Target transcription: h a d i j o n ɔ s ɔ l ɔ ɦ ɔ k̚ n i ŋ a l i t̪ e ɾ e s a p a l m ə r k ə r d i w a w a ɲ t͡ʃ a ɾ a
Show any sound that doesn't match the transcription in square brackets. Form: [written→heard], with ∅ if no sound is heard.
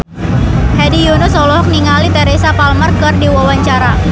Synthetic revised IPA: h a d i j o n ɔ s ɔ l ɔ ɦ ɔ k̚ n i ŋ a l i t̪ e ɾ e s a p a l m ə r k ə r d i w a w a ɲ t͡ʃ a ɾ a